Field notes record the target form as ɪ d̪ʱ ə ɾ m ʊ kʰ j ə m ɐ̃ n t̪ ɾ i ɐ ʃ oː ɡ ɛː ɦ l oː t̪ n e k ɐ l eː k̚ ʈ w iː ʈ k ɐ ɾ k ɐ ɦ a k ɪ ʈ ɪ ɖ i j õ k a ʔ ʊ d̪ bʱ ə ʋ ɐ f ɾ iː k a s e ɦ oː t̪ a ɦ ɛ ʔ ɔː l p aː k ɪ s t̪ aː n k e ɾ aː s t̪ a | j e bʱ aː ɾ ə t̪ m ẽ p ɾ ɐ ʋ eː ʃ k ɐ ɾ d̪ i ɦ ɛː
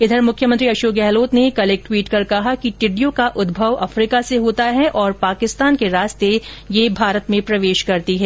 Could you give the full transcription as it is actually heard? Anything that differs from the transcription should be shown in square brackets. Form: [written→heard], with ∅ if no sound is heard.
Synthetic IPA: ɪ d̪ʱ ə ɾ m ʊ kʰ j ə m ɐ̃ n t̪ ɾ i ɐ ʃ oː ɡ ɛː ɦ l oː t̪ n e k ɐ l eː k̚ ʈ w iː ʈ k ɐ ɾ k ɐ ɦ a k [ɪ→i] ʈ ɪ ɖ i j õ k a ʔ ʊ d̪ bʱ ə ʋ ɐ f ɾ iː k a s e ɦ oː t̪ a ɦ ɛ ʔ ɔː [l→ɾ] p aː k ɪ s t̪ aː n k e ɾ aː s t̪ [a→e] | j e bʱ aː ɾ ə t̪ m ẽ p ɾ ɐ ʋ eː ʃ k ɐ ɾ [d̪→t̪] i ɦ ɛː